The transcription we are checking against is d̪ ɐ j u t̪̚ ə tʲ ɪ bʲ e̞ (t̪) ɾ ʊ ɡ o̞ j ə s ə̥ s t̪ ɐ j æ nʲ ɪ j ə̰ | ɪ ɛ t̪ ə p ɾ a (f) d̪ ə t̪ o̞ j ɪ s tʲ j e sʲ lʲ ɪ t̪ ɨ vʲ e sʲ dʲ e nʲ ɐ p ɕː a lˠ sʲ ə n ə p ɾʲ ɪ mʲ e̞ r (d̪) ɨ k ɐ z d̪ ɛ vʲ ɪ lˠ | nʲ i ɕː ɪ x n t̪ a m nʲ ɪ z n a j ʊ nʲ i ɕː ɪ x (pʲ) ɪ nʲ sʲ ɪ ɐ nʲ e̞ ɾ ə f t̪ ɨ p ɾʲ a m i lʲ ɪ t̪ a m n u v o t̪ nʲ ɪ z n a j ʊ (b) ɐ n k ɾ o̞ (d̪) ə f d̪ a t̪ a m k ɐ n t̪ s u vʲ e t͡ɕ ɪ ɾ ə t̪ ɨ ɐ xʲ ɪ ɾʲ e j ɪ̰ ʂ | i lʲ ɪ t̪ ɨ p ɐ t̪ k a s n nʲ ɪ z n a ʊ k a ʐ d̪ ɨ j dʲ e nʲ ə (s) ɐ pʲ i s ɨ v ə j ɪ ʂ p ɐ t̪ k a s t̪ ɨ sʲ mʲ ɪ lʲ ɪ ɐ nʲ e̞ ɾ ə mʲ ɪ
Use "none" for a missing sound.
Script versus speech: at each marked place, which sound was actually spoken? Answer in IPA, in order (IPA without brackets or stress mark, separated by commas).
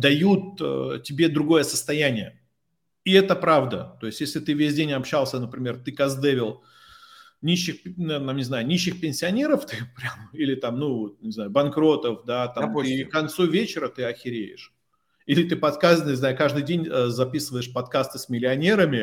d̪, v, t̪, pʲ, b, t̪, z